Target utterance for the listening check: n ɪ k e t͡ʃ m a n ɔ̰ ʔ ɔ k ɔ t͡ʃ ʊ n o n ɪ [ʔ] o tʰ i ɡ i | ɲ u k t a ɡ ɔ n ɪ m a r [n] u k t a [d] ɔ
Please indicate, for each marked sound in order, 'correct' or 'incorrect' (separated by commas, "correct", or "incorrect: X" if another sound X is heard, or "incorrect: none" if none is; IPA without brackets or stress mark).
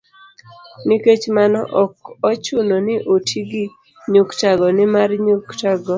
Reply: correct, incorrect: ɲ, incorrect: ɡ